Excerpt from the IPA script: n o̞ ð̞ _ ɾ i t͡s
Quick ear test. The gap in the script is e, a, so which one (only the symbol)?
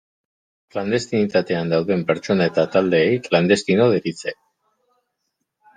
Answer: e